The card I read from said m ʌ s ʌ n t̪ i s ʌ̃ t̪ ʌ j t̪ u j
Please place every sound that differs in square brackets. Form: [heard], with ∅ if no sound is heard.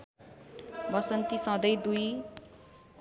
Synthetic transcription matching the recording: [b] ʌ s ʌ n t̪ i s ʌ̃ [d̪] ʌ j [d̪] u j